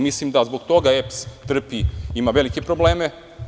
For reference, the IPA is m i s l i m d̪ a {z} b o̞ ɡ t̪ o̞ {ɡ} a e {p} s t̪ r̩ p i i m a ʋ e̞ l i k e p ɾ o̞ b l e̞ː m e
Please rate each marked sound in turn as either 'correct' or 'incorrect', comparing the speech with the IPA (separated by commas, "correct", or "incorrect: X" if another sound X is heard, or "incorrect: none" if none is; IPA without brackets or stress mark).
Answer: correct, correct, correct